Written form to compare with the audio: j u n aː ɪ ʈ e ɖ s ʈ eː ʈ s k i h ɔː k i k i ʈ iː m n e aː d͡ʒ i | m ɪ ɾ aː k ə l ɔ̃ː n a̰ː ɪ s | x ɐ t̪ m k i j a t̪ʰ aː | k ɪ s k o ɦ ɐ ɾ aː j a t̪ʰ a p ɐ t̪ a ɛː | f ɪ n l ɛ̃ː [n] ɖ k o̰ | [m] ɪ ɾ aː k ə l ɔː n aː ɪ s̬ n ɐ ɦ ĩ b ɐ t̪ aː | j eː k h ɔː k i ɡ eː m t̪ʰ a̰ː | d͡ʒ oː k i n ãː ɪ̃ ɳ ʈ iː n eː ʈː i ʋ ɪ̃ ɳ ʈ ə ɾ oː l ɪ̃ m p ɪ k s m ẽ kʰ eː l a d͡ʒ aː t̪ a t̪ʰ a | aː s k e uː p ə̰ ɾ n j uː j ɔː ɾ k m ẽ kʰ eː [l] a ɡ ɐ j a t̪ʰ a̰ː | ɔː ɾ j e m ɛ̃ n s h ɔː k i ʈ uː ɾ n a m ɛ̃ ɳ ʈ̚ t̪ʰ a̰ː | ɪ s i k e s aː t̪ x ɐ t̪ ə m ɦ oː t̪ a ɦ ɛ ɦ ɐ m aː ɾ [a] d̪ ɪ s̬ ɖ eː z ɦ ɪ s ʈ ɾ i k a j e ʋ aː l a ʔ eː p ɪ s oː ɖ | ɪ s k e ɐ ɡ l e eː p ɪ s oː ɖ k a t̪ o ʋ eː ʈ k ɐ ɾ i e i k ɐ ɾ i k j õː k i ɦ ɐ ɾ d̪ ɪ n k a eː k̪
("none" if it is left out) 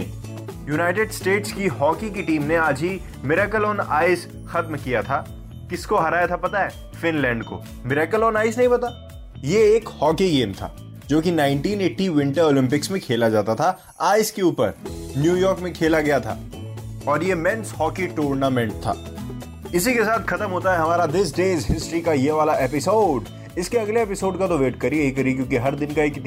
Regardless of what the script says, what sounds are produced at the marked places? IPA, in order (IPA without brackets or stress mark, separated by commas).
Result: ɳ, m, l, a